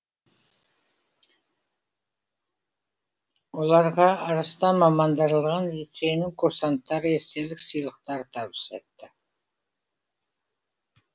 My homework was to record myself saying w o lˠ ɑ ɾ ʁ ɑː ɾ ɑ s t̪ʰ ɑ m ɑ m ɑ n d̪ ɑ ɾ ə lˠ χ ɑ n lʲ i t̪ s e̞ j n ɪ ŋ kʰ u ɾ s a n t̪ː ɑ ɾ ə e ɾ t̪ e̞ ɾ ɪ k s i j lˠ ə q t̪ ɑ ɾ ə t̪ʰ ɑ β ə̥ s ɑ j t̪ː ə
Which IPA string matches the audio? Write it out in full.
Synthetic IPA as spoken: w o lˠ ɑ ɾ ʁ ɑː ɾ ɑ s t̪ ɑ m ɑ m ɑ n d̪ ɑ ɾ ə lˠ ʁ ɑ n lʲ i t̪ s e̞ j n ɪ ŋ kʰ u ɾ s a n t̪ː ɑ ɾ ə e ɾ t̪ e̞ l ɪ k s i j lˠ ə q t̪ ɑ ɾ ə t̪ʰ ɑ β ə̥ s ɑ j t̪ː ə